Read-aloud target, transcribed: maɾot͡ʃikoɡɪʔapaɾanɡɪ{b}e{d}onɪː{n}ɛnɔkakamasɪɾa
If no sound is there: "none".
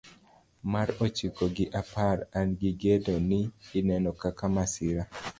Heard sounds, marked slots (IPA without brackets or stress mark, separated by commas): ɡ, d, n